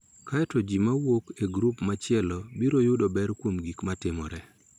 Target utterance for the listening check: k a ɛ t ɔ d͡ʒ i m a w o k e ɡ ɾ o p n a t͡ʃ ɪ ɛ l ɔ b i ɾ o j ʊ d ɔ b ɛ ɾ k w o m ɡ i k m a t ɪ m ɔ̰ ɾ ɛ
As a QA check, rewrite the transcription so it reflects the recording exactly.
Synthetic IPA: k a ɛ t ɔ d͡ʒ i m a w o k e ɡ ɾ u p m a t͡ʃ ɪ ɛ l ɔ b i ɾ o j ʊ d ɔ b ɛ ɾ k w o m ɡ i k m a t ɪ m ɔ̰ ɾ ɛ

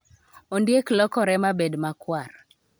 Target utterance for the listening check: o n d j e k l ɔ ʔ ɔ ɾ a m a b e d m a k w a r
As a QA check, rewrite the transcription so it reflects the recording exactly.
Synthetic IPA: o n d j e k l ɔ k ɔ ɾ ɛ m a b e d m a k w a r

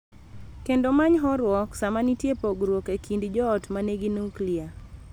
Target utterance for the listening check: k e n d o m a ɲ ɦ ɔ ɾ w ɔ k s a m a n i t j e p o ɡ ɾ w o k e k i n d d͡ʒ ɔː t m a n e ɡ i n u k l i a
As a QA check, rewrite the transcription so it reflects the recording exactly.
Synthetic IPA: k e n d o m a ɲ ɦ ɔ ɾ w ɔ k s a m a n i t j e p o ɡ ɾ w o k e k i n d d͡ʒ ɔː t m a n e ɡ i n u k l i a

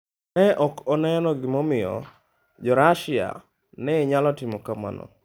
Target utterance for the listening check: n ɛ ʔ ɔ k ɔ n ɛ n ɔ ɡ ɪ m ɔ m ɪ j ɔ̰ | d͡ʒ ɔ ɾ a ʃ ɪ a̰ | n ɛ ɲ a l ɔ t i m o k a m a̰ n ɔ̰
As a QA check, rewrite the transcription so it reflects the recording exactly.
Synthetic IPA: n ɛ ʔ ɔ k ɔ n ɛ n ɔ ɡ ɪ m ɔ m ɪ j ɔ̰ | d͡ʒ ɔ ɾ a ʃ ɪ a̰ | n ɛ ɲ a l ɔ t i m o k a m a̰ n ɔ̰

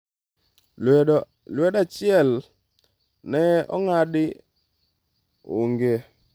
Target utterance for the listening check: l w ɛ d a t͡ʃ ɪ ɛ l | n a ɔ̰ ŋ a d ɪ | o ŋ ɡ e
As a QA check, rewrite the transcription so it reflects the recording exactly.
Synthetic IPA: l w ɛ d a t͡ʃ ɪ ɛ l | n ɛ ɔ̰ ŋ a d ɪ | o ŋ ɡ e

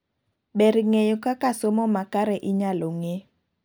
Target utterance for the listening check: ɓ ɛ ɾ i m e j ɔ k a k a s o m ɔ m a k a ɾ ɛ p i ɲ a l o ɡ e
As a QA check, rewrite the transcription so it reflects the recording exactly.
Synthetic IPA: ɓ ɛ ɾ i ŋ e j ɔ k a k a s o m ɔ m a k a ɾ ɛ ʔ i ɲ a l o ŋ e

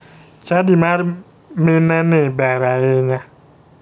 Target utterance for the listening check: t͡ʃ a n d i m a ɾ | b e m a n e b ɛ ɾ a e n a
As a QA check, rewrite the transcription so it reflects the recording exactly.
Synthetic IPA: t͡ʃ a d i m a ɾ | m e n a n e b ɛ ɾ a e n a

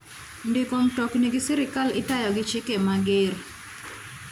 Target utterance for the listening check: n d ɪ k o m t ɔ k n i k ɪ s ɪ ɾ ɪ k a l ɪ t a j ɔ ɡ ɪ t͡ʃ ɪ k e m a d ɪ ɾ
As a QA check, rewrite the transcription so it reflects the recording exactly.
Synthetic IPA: n d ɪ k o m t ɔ k n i ɡ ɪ s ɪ ɾ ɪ k a l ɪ t a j ɔ ɡ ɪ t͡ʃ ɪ k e m a ɡ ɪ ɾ

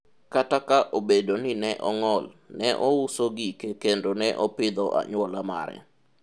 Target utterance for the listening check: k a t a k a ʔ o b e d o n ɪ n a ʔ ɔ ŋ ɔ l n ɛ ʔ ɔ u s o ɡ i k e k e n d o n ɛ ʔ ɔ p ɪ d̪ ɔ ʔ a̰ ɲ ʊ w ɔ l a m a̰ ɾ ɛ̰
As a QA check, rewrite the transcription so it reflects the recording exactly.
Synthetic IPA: k a t a k a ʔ o b e d o n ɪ n ɛ ʔ ɔ ŋ ɔ l n ɛ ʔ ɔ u s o ɡ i k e k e n d o n ɛ ʔ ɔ p ɪ d̪ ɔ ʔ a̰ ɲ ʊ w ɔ l a m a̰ ɾ ɛ̰

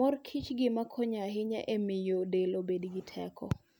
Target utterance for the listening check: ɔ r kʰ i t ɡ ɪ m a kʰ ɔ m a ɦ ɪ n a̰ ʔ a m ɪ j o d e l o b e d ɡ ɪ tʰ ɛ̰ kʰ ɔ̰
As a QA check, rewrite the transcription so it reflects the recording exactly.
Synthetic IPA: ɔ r kʰ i t͡ʃ ɡ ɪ m a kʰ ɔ ɲ a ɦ ɪ ɲ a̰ ʔ e m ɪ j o d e l o b e d ɡ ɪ tʰ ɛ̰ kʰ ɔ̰

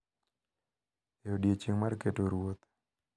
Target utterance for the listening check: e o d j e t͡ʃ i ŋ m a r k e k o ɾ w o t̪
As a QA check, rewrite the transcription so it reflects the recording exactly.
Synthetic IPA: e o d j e t͡ʃ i ŋ m a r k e t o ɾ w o t̪

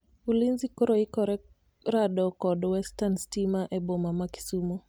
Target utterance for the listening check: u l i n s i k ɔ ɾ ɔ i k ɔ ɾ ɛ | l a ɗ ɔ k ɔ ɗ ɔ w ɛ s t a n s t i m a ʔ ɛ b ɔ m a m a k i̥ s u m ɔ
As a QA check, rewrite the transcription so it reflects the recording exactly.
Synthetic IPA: u l i n z i k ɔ ɾ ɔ i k ɔ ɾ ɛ | ɾ a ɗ ɔ k ɔ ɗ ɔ w ɛ s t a n s t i m a ʔ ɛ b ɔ m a m a k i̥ s u m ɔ

